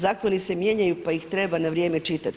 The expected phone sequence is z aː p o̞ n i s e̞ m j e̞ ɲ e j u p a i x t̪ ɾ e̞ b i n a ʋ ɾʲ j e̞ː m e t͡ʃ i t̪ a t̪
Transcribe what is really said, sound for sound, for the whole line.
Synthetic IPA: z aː k o̞ n i s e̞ m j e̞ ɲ a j u p a i x t̪ ɾ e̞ b a n a ʋ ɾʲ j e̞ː m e t͡ʃ i t̪ a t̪